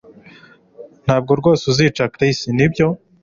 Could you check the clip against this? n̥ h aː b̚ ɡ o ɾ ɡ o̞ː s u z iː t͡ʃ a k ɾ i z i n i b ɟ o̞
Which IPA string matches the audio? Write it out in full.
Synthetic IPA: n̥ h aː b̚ ɡ o ɾ ɡ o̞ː s u z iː t͡ʃ a k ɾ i s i n i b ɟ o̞

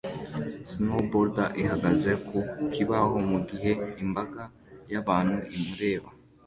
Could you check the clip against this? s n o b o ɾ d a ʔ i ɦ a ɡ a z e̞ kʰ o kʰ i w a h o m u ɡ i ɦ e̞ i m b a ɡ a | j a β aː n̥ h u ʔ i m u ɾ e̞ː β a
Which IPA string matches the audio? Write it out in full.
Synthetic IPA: s n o b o ɾ d a ʔ i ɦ a ɡ a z e̞ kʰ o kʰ i β a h o m u ɡ i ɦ e̞ i m b a ɡ a | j a β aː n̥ h u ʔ i m u ɾ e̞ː β a

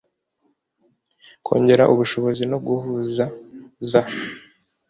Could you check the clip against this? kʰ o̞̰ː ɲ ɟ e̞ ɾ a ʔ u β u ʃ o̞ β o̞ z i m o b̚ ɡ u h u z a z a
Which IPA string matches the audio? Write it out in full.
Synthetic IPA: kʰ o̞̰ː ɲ ɟ e̞ ɾ a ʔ u β u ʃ o̞ β o̞ z i n o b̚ ɡ u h u z a z a

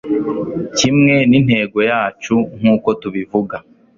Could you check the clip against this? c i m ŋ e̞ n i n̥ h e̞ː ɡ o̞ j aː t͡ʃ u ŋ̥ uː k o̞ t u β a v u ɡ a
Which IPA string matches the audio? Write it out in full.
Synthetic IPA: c i m ŋ e̞ n i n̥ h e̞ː ɡ o̞ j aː t͡ʃ u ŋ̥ uː k o̞ t u β i v u ɡ a

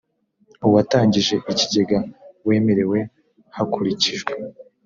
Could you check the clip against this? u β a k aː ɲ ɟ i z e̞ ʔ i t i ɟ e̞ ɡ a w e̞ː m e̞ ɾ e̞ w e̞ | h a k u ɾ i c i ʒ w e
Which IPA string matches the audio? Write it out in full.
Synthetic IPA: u w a t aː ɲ ɟ i ʒ e̞ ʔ i c i ɟ e̞ ɡ a w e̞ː m e̞ ɾ e̞ w e̞ | h a k u ɾ i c i ʒ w e

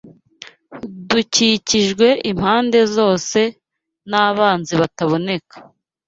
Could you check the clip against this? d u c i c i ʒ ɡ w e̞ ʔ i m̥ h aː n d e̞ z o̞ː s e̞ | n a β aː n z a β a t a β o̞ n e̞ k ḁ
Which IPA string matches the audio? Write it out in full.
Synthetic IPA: d u c i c i ʒ ɡ w e̞ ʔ i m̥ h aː n d e̞ z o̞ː s e̞ | n a β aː n z i β a t a β o̞ n e̞ k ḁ

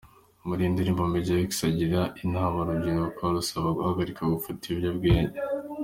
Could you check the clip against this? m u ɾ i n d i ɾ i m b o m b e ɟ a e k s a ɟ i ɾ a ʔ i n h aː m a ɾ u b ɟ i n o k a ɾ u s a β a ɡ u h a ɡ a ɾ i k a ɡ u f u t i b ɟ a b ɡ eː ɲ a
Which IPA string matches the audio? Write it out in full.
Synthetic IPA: m u ɾ i n d i ɾ i m b o m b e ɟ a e k s a ɟ i ɾ a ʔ i n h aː m a ɾ u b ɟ i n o k a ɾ u s a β a ɡ u h a ɡ a ɾ i k a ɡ u f u t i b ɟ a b ɡ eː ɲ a

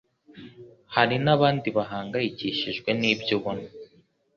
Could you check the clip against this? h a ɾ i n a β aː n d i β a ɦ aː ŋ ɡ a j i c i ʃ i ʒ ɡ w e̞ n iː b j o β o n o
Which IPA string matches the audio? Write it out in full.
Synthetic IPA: h a ɾ i n a β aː n d i β a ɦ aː ŋ ɡ a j i c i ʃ i ʒ ɡ w e̞ n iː b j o β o n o

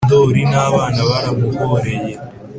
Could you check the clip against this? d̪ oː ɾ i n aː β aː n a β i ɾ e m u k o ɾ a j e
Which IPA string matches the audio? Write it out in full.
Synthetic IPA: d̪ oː ɾ i n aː β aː n a β a ɾ a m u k o ɾ e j e

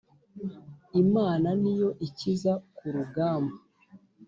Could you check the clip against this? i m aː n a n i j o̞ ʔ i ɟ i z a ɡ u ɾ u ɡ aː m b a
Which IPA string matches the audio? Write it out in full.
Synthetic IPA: i m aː n a n i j o̞ ʔ i c i z a k u ɾ u ɡ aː m b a

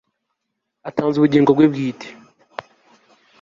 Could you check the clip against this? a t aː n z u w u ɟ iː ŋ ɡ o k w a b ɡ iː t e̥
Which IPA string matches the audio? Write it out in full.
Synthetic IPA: a t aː n z u β u ɟ iː ŋ ɡ o ɡ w e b ɡ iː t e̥

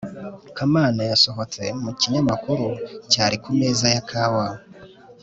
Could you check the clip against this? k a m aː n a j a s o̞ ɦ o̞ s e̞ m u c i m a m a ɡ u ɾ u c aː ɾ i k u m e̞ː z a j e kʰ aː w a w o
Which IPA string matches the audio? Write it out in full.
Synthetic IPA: k a m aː n a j a s o̞ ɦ o̞ t͡s e̞ m u c i ɲ a m a k u ɾ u c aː ɾ i k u m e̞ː z a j a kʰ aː w a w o

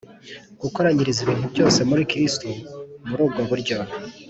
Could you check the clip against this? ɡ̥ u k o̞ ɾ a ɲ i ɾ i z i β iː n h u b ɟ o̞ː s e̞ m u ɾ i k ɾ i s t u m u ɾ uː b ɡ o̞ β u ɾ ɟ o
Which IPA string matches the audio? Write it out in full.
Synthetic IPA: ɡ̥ u k o̞ ɾ a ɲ i ɾ i z i β iː n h u b ɟ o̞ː s e̞ m u ɾ i k ɾ i s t u m u ɾ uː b ɡ o̞ β u ɾ ɟ o

